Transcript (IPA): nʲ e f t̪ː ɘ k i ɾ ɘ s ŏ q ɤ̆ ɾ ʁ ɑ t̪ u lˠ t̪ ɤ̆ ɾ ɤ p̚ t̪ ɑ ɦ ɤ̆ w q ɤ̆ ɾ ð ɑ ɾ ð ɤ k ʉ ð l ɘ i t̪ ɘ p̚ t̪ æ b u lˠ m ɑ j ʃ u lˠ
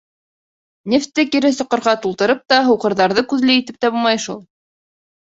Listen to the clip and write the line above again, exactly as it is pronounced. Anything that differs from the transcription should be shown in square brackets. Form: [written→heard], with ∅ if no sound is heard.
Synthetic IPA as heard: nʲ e f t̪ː ɘ k i ɾ ɘ s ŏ q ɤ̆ ɾ ʁ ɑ t̪ u lˠ t̪ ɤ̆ ɾ ɤ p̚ t̪ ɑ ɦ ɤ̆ w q ɤ̆ ɾ ð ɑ ɾ ð ɤ k ʉ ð l ɘ i t̪ ɘ p̚ t̪ æ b u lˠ m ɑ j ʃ u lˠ